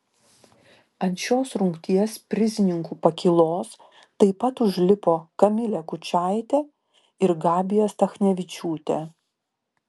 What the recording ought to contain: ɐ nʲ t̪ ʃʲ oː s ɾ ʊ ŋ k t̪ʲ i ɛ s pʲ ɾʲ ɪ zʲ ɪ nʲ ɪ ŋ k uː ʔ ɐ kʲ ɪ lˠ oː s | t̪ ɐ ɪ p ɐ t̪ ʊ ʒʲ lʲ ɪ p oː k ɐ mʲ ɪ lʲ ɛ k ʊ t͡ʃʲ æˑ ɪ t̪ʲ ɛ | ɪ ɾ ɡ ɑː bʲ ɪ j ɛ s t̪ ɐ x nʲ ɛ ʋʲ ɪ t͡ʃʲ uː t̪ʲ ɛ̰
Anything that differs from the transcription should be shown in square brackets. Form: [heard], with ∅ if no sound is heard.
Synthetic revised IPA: ɐ nʲ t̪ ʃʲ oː s ɾ ʊ ŋ k t̪ʲ i ɛ s pʲ ɾʲ ɪ zʲ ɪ nʲ ɪ ŋ k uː [p] ɐ kʲ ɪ lˠ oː s | t̪ ɐ ɪ p ɐ t̪ ʊ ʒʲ lʲ ɪ p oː k ɐ mʲ ɪ lʲ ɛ k ʊ t͡ʃʲ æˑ ɪ t̪ʲ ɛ | ɪ ɾ ɡ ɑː bʲ ɪ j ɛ s t̪ ɐ x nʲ ɛ ʋʲ ɪ t͡ʃʲ uː t̪ʲ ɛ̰

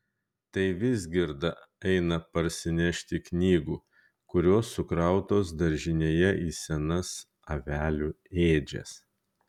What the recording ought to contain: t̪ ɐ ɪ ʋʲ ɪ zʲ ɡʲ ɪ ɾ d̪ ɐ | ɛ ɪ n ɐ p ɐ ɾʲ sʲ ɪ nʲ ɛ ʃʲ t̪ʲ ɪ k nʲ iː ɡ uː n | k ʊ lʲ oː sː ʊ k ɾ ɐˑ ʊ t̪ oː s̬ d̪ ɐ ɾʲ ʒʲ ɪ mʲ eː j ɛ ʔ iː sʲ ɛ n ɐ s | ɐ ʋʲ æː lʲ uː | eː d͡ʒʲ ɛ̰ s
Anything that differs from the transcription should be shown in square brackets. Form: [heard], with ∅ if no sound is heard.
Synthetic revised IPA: t̪ ɐ ɪ ʋʲ ɪ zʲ ɡʲ ɪ ɾ d̪ ɐ | ɛ ɪ n ɐ p ɐ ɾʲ sʲ ɪ nʲ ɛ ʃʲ t̪ʲ ɪ k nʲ iː ɡ uː [∅] | k ʊ [ɾʲ] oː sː ʊ k ɾ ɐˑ ʊ t̪ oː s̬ d̪ ɐ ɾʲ ʒʲ ɪ [nʲ] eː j ɛ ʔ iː sʲ ɛ n ɐ s | ɐ ʋʲ æː lʲ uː | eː d͡ʒʲ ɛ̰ s

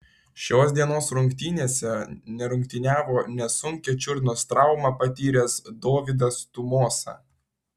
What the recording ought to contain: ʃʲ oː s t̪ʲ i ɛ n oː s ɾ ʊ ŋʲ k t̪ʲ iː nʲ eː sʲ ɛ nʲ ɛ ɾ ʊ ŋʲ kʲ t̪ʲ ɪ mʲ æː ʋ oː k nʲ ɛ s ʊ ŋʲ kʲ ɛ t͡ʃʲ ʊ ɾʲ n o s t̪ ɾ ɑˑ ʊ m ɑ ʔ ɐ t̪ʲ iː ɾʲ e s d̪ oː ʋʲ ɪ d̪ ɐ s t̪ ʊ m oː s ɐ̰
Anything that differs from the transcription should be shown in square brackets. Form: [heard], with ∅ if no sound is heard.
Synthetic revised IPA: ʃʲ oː s [d̪ʲ] i ɛ n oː s ɾ ʊ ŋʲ k t̪ʲ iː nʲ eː sʲ ɛ nʲ ɛ ɾ ʊ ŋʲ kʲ t̪ʲ ɪ [nʲ] æː ʋ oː [∅] nʲ ɛ s ʊ ŋʲ kʲ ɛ t͡ʃʲ ʊ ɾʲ n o s t̪ ɾ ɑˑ ʊ m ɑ [p] ɐ t̪ʲ iː ɾʲ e s d̪ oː ʋʲ ɪ d̪ ɐ s t̪ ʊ m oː s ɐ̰

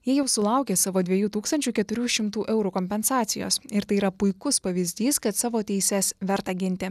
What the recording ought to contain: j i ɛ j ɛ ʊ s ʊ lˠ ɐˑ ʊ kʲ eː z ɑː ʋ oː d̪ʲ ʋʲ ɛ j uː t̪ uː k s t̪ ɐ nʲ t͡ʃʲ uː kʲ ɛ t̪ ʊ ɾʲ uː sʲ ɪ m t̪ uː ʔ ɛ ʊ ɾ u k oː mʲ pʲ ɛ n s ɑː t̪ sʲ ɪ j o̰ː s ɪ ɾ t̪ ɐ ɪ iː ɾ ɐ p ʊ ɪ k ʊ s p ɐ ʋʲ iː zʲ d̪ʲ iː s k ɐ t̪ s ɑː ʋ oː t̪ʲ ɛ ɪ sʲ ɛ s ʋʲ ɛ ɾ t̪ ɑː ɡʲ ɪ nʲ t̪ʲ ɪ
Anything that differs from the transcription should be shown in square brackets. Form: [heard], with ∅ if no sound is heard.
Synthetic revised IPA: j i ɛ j ɛ ʊ s ʊ lˠ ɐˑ ʊ kʲ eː [s] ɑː ʋ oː d̪ʲ ʋʲ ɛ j uː t̪ uː k s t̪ ɐ nʲ t͡ʃʲ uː kʲ ɛ t̪ ʊ ɾʲ uː [ʃʲ] ɪ m t̪ uː ʔ ɛ ʊ ɾ u k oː mʲ pʲ ɛ n s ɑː t̪ sʲ ɪ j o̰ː s ɪ ɾ t̪ ɐ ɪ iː ɾ ɐ p ʊ ɪ k ʊ s p ɐ ʋʲ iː zʲ d̪ʲ iː s k ɐ t̪ s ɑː ʋ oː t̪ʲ ɛ ɪ sʲ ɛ s ʋʲ ɛ ɾ t̪ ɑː ɡʲ ɪ nʲ t̪ʲ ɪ

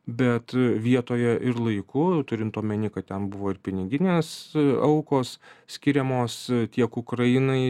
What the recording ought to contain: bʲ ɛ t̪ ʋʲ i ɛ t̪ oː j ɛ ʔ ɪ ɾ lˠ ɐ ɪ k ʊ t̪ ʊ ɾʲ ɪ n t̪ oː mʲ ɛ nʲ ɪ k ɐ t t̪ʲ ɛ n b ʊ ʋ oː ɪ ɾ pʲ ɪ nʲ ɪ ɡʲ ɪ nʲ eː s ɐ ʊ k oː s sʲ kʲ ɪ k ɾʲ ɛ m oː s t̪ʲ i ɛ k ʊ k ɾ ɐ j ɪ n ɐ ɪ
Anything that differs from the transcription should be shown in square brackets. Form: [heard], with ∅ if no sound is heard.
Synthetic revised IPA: bʲ ɛ t̪ ʋʲ i ɛ t̪ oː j ɛ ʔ ɪ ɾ lˠ ɐ ɪ k ʊ t̪ ʊ ɾʲ ɪ n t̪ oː mʲ ɛ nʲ ɪ k ɐ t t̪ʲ ɛ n b ʊ ʋ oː ɪ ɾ pʲ ɪ nʲ ɪ ɡʲ ɪ nʲ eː s ɐ ʊ k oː s sʲ kʲ ɪ [∅] ɾʲ ɛ m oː s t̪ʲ i ɛ k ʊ k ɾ ɐ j ɪ n ɐ ɪ

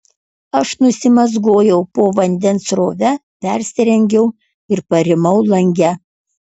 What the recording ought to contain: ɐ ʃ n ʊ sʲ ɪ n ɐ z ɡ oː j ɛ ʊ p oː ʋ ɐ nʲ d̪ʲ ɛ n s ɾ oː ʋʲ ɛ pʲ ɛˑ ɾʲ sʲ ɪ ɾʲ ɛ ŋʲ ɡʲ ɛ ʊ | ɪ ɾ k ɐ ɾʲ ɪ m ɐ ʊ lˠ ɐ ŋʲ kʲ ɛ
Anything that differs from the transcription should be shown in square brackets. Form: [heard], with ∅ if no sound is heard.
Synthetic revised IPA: ɐ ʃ n ʊ sʲ ɪ [m] ɐ z ɡ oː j ɛ ʊ p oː ʋ ɐ nʲ d̪ʲ ɛ n s ɾ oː ʋʲ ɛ pʲ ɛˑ ɾʲ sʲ ɪ ɾʲ ɛ ŋʲ ɡʲ ɛ ʊ | ɪ ɾ [p] ɐ ɾʲ ɪ m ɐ ʊ lˠ ɐ ŋʲ [ɡʲ] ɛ

